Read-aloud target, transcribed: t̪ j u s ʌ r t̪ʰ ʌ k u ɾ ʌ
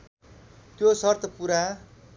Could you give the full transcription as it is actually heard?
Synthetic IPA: t̪ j o s ʌ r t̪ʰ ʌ p u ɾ a